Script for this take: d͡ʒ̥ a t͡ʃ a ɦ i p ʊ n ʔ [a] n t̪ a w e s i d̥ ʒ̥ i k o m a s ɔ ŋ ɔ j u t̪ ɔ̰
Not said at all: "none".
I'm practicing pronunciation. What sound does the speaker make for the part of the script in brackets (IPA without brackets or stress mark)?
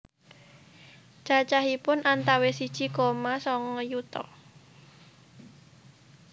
a